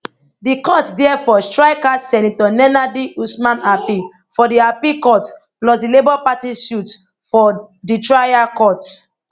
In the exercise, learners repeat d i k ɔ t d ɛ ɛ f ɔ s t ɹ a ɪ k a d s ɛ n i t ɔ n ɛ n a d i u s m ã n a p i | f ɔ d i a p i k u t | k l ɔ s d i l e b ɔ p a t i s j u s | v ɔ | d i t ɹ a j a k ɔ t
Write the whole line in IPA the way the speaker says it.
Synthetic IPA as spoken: d i k ɔ t d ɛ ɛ f ɔ s t ɹ a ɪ k a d s ɛ n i t ɔ n ɛ n a d i u s m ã n a p i | f ɔ d i a p i k ɔ t | p l ɔ s d i l e b ɔ p a t i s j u t | f ɔ | d i t ɹ a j a k ɔ t